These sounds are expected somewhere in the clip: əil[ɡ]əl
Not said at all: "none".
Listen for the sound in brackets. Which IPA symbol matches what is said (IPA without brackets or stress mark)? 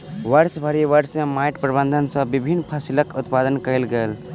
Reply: ɡ